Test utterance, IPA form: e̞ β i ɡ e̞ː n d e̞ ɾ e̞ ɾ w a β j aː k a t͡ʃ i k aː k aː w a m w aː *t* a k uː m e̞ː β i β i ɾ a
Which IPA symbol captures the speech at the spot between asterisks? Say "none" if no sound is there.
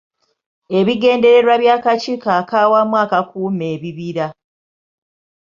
k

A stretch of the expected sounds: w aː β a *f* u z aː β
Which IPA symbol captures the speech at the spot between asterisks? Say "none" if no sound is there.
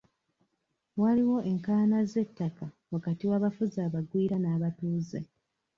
f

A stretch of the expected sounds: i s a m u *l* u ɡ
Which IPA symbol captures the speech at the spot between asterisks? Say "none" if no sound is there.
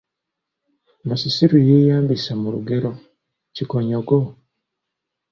ɾ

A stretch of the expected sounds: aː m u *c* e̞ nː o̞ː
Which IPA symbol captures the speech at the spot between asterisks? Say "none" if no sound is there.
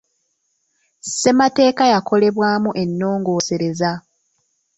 ʔ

